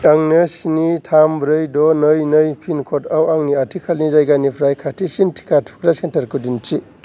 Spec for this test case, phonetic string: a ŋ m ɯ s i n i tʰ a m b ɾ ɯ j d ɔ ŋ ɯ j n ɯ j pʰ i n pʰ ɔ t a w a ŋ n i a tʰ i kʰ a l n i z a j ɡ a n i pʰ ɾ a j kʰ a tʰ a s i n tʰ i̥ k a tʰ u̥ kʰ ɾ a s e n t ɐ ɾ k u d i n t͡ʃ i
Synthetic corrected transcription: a ŋ n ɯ s i n i tʰ a m b ɾ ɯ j d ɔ n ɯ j n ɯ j pʰ i n kʰ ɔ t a w a ŋ n i a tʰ i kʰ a l n i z a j ɡ a n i pʰ ɾ a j kʰ a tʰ i s i n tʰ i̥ k a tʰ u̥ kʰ ɾ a s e n t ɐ ɾ k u d i n t͡ʃ i